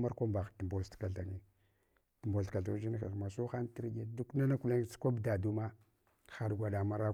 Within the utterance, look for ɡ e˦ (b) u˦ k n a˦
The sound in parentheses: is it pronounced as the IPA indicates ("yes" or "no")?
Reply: no